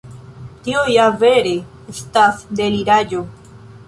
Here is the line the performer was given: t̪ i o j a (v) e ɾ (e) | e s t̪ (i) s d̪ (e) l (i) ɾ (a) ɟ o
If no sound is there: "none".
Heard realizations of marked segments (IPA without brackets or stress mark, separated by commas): v, e, a, e, i, a